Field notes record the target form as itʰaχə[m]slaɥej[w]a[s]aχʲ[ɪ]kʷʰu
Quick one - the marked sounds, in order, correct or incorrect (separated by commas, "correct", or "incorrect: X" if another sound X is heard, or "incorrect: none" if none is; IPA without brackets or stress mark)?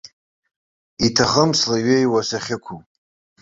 correct, correct, correct, correct